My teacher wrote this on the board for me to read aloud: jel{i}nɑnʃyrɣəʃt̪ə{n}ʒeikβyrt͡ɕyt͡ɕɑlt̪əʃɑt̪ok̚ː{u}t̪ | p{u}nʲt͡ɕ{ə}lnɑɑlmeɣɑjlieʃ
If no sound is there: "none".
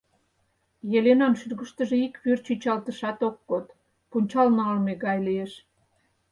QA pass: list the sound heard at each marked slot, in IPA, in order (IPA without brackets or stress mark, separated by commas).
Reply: e, none, o, u, ɑ